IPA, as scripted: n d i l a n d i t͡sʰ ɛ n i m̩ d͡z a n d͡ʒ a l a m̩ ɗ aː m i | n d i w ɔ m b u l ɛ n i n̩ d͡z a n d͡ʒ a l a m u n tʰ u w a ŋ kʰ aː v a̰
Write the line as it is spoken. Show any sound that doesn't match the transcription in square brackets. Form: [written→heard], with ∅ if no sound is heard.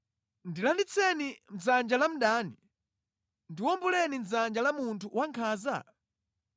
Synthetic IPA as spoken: n d i l a n d i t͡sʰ ɛ n i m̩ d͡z a n d͡ʒ a l a m̩ ɗ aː [m→n] i | n d i w ɔ m b u l ɛ n i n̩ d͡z a n d͡ʒ a l a m u n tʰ u w a ŋ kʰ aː [v→z] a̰